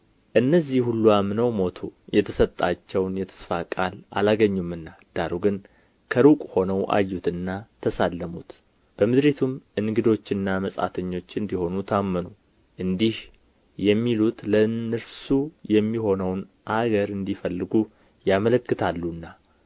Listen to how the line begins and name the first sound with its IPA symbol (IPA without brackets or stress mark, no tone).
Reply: ʔ